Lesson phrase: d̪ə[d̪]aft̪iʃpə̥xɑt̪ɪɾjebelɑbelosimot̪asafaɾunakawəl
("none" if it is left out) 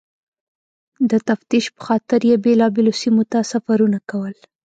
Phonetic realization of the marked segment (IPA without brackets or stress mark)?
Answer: t̪